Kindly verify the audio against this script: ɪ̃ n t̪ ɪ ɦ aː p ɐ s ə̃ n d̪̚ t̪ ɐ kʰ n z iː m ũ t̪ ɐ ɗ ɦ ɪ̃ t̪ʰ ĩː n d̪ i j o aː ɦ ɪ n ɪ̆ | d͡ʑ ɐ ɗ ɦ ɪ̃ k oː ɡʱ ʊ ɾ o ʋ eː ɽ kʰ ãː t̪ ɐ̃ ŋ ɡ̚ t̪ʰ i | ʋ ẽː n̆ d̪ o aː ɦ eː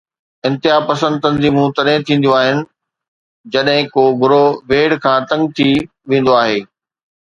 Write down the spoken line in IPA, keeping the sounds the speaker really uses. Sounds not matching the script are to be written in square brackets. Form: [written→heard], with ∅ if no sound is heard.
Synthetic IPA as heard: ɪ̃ n t̪ ɪ ɦ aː p ɐ s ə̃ n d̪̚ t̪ ɐ [kʰ→∅] n z iː m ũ t̪ ɐ ɗ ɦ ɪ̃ t̪ʰ ĩː n d̪ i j o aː ɦ ɪ n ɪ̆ | d͡ʑ ɐ ɗ ɦ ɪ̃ k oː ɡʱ ʊ ɾ o ʋ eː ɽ kʰ ãː t̪ ɐ̃ ŋ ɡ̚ t̪ʰ i | ʋ ẽː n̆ d̪ o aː ɦ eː

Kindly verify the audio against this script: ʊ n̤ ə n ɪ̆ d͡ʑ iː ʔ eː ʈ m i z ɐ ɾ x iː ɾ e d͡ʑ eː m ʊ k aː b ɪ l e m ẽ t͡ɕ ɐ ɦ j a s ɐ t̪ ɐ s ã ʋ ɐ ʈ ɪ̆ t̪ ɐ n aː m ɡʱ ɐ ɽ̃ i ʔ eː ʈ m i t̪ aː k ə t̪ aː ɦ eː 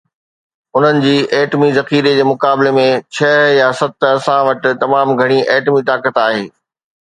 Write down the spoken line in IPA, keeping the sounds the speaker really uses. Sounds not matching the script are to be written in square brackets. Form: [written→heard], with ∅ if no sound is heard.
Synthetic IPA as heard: ʊ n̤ ə n ɪ̆ d͡ʑ iː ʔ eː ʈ m i z ɐ [ɾ→∅] x iː ɾ e d͡ʑ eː m ʊ k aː b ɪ l e m ẽ [t͡ɕ→t͡ɕʰ] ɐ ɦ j a s ɐ t̪ ɐ s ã ʋ ɐ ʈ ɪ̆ t̪ ɐ [n→m] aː m ɡʱ ɐ ɽ̃ i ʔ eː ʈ m i t̪ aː k ə t̪ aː ɦ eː

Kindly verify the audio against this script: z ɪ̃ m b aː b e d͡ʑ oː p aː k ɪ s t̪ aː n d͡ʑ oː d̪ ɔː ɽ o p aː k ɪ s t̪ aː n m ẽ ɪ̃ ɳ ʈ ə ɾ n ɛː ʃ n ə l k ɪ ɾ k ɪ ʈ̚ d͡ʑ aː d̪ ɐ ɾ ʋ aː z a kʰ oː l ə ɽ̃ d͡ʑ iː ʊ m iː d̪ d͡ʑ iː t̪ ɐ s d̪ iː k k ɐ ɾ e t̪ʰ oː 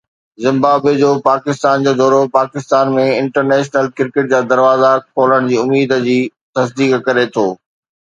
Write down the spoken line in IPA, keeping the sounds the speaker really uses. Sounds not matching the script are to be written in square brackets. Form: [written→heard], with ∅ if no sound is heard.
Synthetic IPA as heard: z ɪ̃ m b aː b e d͡ʑ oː p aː k ɪ s t̪ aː n d͡ʑ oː d̪ ɔː [ɽ→ɾ] o p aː k ɪ s t̪ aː n m ẽ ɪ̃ ɳ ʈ ə ɾ n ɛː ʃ n ə l k ɪ ɾ k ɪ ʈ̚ d͡ʑ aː d̪ ɐ ɾ ʋ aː z a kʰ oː l ə ɽ̃ d͡ʑ iː ʊ m iː d̪ d͡ʑ iː t̪ ɐ s d̪ iː k k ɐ ɾ e t̪ʰ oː

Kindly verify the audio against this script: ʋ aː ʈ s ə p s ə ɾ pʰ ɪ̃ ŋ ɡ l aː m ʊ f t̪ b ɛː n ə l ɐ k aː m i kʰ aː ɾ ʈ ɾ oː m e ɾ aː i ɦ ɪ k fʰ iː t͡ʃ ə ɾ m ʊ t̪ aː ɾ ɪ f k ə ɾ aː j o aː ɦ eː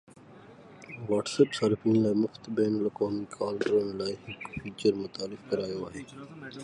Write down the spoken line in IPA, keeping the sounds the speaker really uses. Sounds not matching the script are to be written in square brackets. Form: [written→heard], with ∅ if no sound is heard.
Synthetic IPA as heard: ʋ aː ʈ s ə p s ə ɾ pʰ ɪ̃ ŋ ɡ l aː m ʊ f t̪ b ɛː n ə l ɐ k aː m i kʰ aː [ɾ→l] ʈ ɾ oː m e [ɾ→l] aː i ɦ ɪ k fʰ iː t͡ʃ ə ɾ m ʊ t̪ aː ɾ ɪ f k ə ɾ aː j o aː ɦ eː

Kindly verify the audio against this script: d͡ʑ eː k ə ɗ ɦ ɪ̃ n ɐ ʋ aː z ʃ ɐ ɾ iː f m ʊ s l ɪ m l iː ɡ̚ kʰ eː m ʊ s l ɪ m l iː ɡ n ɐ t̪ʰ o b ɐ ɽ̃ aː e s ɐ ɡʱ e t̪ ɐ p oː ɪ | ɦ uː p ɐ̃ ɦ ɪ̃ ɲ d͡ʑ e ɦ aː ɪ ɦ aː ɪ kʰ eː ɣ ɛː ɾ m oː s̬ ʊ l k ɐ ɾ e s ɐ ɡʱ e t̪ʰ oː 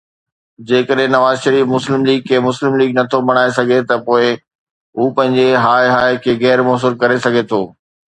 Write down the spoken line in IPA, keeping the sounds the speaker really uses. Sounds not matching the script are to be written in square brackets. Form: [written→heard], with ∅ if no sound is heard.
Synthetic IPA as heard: d͡ʑ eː k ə ɗ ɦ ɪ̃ n ɐ ʋ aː z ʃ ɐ ɾ iː f m ʊ s l ɪ m l iː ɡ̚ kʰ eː m ʊ s l ɪ m l iː ɡ n ɐ t̪ʰ o b ɐ ɽ̃ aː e s ɐ ɡʱ e t̪ ɐ p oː ɪ | ɦ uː p ɐ̃ ɦ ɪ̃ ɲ d͡ʑ e ɦ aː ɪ ɦ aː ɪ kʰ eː ɣ ɛː ɾ m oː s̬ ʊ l k ɐ ɾ e s ɐ ɡʱ e t̪ʰ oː

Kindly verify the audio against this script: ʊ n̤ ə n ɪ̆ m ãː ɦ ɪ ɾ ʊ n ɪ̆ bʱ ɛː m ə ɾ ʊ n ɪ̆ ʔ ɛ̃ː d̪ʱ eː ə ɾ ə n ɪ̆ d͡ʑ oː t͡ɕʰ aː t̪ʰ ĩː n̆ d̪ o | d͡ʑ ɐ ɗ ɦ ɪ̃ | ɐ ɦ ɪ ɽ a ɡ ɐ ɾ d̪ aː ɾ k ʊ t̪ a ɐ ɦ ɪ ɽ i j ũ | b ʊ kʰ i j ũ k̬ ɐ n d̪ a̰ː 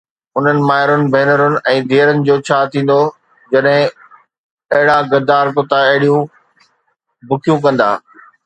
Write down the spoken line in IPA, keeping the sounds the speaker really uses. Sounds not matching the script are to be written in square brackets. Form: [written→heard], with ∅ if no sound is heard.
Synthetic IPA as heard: ʊ n̤ ə n ɪ̆ m [ãː→aː] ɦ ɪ ɾ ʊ n ɪ̆ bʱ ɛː [m→n] ə ɾ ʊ n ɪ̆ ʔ ɛ̃ː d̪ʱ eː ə ɾ ə n ɪ̆ d͡ʑ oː t͡ɕʰ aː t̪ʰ ĩː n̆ d̪ o | d͡ʑ ɐ ɗ ɦ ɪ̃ | ɐ ɦ ɪ ɽ a ɡ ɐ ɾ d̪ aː ɾ k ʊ t̪ a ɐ ɦ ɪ ɽ i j ũ | b ʊ kʰ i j ũ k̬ [ɐ→ɐ̃] n d̪ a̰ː

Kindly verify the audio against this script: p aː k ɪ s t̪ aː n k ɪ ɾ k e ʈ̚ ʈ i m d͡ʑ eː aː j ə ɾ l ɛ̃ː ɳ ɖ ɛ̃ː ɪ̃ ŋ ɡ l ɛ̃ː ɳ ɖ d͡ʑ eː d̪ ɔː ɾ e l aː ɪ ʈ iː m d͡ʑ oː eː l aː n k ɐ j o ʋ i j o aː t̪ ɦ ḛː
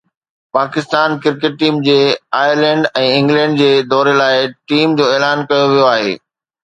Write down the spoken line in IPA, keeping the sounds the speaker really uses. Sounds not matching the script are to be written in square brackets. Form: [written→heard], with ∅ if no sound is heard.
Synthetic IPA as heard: p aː k ɪ s t̪ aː n k ɪ ɾ k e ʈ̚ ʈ [i→iː] m d͡ʑ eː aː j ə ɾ l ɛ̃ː ɳ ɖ ɛ̃ː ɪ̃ ŋ ɡ l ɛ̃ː ɳ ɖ d͡ʑ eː d̪ ɔː ɾ e l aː ɪ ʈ iː m d͡ʑ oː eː l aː n k ɐ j o ʋ i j o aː [t̪→∅] ɦ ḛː

